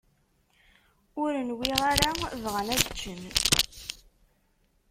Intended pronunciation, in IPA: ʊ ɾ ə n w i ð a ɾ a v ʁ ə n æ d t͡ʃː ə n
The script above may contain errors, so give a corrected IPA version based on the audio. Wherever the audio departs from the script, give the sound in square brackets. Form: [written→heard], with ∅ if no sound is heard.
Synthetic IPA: ʊ ɾ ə n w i [ð→ʁ] a ɾ a v ʁ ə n æ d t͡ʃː ə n